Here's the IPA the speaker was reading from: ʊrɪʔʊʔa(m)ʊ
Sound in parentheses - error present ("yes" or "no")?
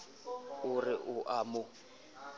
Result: no